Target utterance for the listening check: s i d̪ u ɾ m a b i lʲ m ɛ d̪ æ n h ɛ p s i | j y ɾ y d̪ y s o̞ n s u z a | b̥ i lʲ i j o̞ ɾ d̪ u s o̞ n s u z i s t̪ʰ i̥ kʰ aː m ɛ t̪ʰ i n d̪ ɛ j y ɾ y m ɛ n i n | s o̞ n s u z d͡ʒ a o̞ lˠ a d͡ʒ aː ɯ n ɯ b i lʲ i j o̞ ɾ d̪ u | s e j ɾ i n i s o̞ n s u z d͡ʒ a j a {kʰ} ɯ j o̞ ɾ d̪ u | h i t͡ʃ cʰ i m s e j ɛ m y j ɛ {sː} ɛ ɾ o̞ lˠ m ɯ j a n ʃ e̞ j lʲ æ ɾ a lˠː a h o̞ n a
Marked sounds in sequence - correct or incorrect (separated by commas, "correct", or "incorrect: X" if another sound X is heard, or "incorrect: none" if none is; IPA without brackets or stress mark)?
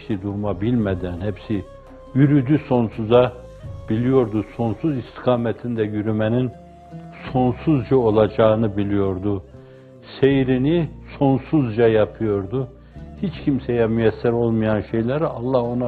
incorrect: pʰ, correct